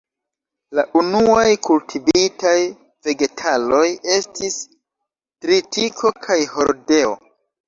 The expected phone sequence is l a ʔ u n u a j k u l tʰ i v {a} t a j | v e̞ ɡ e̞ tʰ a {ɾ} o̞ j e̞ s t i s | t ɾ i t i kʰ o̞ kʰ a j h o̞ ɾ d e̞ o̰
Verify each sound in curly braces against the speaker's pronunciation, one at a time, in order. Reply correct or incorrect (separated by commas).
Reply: incorrect, incorrect